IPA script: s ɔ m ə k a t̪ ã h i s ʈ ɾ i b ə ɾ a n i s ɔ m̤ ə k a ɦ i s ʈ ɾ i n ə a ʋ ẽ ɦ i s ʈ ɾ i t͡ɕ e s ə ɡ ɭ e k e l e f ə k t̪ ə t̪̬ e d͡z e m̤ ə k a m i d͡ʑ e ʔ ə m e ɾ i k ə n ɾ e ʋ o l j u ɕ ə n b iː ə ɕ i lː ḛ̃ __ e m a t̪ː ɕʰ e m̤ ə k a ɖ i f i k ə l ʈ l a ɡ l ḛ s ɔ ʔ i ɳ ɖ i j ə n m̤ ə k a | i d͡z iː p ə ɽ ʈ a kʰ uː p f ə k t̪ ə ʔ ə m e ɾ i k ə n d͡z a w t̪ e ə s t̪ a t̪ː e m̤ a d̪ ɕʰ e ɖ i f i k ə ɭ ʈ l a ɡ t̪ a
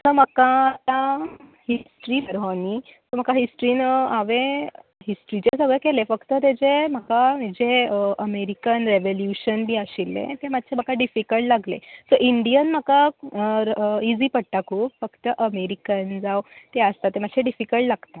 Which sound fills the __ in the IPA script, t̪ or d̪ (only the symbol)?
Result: t̪